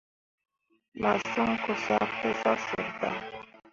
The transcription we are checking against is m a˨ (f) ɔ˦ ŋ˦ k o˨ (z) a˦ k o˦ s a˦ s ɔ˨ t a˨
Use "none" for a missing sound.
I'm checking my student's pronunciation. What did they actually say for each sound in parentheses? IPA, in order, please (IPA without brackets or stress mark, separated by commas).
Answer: s, s